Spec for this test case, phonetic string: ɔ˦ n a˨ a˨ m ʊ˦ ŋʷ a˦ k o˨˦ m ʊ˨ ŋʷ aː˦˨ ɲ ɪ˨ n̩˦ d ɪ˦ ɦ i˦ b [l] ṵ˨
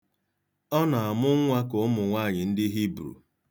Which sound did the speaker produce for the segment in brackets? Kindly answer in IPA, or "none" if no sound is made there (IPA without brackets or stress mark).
ɾ